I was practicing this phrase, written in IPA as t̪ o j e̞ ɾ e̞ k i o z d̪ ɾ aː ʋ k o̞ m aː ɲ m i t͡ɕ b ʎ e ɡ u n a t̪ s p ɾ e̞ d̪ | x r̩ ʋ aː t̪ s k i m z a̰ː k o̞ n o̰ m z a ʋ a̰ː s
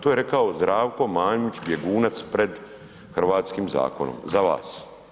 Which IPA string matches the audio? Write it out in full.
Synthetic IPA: t̪ o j e̞ ɾ e̞ k a o z d̪ ɾ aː ʋ k o̞ m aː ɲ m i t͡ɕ b j e ɡ uː n a t̪ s p ɾ e̞ d̪ | x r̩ ʋ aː t̪ s k i m z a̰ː k o̞ n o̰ m z a ʋ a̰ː s